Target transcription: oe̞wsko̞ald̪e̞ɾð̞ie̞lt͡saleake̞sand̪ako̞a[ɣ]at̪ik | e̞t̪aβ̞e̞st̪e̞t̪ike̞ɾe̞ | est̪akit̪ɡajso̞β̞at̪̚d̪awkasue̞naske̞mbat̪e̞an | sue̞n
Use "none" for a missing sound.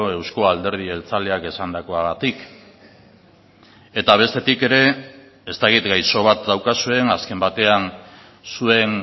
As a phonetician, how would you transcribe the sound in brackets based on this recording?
ɣ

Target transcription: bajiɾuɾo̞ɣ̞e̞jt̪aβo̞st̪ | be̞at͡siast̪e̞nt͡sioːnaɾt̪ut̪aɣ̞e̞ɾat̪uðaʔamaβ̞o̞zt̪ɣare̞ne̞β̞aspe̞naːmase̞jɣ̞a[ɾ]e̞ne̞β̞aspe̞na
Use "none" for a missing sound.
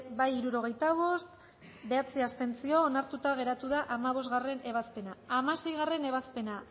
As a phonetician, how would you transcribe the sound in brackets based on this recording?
r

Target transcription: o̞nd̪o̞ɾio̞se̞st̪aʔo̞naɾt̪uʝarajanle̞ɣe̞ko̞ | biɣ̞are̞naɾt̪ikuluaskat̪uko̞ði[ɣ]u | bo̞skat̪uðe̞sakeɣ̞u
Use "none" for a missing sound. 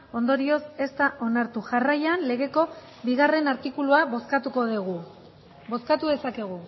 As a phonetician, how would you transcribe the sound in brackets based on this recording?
ɣ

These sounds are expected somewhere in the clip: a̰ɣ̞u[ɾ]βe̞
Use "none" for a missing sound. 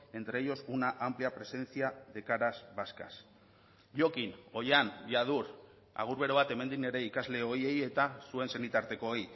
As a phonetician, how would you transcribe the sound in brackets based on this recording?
ɾ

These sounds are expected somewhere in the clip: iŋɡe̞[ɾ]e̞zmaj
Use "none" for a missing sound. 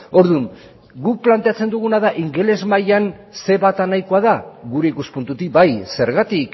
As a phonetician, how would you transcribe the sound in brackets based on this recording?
l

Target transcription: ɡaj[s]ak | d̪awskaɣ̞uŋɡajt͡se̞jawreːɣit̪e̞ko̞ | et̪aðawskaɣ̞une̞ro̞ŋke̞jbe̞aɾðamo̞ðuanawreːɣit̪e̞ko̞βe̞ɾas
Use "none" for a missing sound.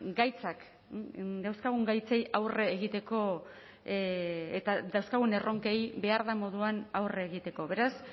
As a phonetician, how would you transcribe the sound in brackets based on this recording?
t͡s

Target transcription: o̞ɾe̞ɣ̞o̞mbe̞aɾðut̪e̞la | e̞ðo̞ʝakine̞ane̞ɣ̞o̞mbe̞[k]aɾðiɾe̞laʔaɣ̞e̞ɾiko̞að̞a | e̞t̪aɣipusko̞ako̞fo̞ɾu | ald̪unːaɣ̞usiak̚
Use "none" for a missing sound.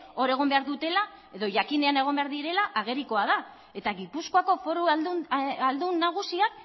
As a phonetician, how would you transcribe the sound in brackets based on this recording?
none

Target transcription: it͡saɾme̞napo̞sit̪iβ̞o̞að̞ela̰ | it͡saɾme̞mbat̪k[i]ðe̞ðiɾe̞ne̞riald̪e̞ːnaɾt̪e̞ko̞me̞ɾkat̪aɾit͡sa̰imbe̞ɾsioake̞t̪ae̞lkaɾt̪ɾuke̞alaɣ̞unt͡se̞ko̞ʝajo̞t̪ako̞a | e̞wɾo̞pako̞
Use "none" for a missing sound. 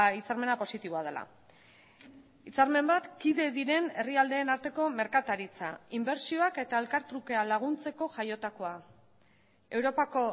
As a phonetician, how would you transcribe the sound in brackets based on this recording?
i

